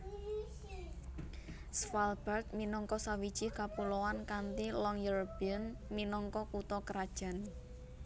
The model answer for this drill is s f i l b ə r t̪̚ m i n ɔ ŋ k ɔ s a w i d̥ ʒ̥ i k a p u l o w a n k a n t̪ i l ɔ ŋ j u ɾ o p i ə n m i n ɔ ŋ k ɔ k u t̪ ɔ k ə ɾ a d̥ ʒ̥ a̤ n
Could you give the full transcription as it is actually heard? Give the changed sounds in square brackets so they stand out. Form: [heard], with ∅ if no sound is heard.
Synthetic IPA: s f [a] l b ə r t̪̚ m i n ɔ ŋ k ɔ s a w i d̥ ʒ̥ i k a p u l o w a n k a n t̪ i l ɔ ŋ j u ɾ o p i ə n m i n ɔ ŋ k ɔ k u t̪ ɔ k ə ɾ a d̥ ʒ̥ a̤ n